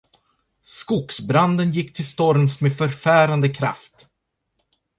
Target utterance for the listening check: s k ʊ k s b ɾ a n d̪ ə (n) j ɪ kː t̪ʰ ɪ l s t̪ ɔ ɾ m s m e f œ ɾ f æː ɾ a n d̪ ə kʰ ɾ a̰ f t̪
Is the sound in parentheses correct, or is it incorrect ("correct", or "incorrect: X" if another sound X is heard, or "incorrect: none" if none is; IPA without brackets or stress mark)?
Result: correct